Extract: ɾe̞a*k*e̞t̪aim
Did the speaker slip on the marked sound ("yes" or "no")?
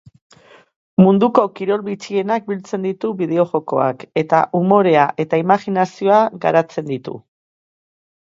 yes